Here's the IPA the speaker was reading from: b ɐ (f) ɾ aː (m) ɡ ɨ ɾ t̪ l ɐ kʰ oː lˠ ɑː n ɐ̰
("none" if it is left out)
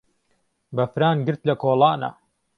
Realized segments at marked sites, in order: f, n

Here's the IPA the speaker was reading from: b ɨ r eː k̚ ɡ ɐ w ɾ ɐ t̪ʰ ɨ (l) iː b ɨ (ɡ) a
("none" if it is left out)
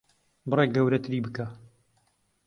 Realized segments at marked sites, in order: ɾ, k

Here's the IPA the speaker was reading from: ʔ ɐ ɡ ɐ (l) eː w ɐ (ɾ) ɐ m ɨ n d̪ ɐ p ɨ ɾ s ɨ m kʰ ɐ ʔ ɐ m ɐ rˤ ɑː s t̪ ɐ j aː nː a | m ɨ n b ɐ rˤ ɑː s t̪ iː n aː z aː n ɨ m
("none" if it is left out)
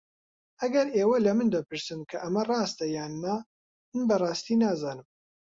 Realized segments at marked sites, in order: ɾ, l

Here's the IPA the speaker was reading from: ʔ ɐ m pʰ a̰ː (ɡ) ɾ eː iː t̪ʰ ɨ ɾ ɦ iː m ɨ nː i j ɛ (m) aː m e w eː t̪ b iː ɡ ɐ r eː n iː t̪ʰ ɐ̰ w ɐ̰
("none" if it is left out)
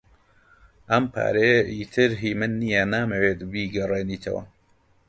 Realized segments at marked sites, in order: none, n

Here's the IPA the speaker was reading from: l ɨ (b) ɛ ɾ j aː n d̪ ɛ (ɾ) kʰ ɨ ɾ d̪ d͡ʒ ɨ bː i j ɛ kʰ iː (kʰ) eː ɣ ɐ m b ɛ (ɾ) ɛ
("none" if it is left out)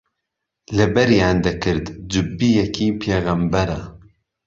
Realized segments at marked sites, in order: b, none, pʰ, ɾ

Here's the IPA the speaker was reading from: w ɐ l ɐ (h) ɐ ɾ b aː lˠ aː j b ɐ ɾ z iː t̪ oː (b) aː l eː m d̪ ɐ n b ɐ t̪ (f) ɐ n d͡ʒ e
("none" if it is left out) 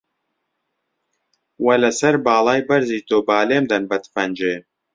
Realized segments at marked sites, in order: s, b, f

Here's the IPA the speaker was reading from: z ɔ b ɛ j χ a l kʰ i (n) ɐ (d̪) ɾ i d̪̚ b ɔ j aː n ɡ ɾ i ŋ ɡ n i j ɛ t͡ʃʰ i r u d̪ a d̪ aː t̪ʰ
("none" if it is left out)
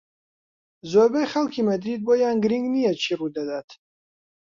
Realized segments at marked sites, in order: m, d̪

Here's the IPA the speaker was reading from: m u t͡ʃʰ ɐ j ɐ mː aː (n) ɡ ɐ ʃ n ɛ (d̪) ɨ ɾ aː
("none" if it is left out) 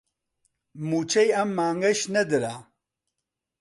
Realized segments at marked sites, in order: ŋ, d̪

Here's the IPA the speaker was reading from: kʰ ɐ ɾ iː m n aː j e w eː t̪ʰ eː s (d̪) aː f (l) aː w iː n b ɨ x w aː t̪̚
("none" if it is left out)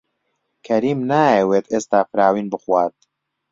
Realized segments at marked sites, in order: t̪, ɾ

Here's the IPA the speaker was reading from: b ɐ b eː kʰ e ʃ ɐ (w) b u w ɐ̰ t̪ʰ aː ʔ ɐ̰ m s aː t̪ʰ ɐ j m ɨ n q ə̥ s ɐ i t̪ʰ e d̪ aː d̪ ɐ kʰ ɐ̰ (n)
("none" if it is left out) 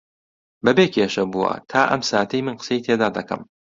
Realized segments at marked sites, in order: none, m

